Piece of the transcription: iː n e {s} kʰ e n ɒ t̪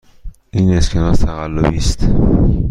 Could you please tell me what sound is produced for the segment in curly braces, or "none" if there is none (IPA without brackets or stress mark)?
s